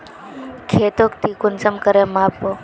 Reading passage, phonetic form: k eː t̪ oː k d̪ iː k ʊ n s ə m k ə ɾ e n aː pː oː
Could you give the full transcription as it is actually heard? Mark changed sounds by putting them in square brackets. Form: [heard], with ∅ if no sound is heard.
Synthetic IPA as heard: [kʰ] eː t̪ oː k [t̪] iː k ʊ n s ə m k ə ɾ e [m] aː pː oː